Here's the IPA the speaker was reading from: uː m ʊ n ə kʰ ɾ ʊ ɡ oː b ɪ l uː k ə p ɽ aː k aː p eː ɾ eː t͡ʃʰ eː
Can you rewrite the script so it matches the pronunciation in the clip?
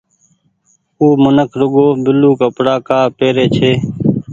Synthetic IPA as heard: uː m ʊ n ə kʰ ɾ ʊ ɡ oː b ɪ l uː k ə p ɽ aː k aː p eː ɾ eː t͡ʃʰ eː